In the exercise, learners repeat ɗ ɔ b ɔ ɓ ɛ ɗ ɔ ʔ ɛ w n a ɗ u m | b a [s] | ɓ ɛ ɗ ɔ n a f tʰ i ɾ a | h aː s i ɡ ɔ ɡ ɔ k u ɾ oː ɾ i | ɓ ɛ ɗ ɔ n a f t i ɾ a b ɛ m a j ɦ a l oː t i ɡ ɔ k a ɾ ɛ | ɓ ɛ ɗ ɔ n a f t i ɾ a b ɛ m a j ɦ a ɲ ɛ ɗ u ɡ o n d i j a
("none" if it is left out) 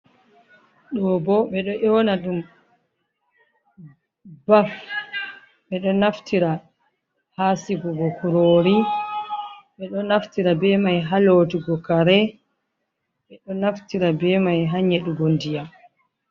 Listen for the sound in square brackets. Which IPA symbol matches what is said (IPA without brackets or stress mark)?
f